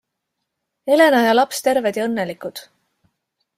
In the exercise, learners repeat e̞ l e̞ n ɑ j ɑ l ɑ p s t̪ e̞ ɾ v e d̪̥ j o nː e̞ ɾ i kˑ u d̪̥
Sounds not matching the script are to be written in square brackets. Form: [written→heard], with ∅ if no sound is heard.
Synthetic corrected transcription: e̞ l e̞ n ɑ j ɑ l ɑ p s t̪ e̞ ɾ v e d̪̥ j [o→ɤ] nː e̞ [ɾ→l] i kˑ u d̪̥